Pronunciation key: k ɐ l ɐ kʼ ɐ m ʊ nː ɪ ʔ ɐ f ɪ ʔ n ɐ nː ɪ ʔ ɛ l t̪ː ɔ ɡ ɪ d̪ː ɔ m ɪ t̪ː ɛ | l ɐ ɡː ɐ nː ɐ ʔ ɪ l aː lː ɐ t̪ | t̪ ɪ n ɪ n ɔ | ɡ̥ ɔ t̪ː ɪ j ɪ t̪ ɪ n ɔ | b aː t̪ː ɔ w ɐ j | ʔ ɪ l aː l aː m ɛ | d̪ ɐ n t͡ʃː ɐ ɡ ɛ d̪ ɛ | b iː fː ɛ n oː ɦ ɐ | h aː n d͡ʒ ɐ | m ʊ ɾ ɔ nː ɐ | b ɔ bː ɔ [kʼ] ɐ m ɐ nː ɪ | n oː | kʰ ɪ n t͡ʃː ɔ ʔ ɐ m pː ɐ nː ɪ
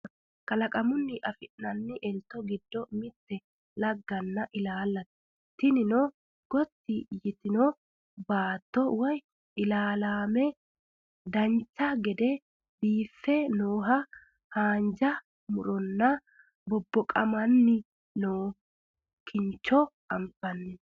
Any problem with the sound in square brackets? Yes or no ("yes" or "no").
no